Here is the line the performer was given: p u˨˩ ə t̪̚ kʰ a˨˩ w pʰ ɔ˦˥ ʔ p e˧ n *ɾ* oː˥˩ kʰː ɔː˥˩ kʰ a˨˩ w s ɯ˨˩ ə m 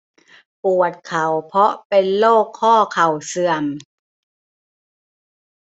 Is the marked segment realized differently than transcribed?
yes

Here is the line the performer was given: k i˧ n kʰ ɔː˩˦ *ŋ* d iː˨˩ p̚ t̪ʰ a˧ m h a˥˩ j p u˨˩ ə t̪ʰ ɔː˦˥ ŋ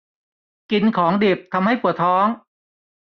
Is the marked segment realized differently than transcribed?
no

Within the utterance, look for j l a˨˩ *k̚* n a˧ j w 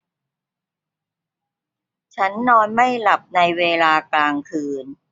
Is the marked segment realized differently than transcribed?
yes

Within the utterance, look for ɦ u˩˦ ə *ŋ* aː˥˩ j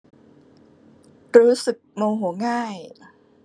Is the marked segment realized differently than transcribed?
no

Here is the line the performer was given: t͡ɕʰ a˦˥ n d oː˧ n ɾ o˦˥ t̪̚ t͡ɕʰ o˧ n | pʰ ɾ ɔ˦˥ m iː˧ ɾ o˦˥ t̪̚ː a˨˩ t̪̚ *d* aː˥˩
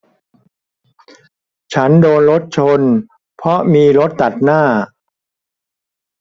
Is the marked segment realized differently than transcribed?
yes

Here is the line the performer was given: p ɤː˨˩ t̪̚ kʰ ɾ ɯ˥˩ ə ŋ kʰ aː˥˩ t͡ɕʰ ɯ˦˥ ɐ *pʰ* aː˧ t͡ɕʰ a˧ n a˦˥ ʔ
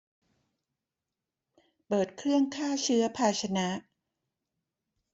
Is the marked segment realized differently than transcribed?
no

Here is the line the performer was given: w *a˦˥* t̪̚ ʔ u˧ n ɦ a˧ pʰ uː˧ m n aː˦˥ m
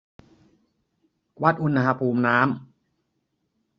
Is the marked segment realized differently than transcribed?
no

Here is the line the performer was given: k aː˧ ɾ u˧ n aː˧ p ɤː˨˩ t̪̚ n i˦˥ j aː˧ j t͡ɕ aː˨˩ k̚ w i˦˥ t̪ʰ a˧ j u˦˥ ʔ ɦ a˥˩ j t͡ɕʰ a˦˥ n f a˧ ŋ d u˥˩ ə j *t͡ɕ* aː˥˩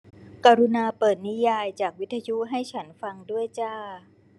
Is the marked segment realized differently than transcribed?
no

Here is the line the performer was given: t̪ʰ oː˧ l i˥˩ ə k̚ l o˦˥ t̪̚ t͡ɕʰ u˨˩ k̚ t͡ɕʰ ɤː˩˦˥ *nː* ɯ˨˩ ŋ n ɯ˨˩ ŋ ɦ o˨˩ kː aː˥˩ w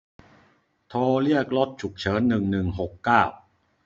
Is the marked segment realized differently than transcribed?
no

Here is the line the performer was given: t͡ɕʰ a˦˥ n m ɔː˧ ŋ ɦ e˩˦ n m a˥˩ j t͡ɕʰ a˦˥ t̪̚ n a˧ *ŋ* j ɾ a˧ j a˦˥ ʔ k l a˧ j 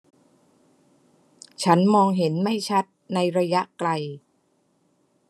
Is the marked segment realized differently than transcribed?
yes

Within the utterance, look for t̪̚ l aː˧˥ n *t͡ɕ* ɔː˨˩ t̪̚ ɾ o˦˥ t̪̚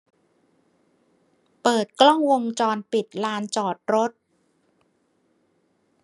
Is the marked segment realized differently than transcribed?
no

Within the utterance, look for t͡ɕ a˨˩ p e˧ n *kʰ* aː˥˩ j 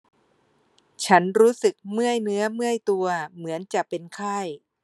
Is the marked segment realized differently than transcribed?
no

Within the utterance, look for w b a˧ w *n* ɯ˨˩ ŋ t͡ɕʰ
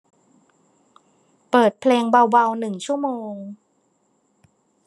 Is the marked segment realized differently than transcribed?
no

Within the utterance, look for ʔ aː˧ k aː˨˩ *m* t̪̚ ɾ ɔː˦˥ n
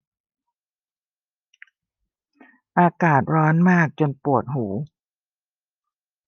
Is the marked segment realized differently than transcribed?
yes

